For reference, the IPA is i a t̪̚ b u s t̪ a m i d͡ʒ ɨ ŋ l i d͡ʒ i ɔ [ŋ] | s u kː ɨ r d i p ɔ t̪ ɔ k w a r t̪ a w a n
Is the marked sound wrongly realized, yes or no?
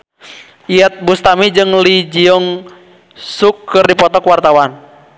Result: no